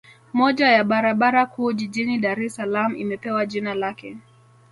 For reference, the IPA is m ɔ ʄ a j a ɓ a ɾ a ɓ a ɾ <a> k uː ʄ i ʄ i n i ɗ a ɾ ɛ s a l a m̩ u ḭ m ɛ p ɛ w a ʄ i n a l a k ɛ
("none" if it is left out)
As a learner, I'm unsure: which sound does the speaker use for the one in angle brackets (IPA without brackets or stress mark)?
a